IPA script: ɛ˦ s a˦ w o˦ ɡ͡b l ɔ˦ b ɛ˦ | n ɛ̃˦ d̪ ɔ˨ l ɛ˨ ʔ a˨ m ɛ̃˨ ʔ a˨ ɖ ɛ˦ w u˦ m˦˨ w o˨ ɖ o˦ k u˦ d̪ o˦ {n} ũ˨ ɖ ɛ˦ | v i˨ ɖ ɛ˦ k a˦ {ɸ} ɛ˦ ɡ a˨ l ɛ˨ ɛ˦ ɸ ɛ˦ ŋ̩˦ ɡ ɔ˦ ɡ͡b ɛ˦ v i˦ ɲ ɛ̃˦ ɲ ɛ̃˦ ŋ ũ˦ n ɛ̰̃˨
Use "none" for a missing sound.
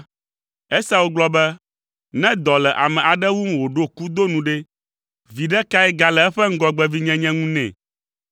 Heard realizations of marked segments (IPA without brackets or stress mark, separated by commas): n, none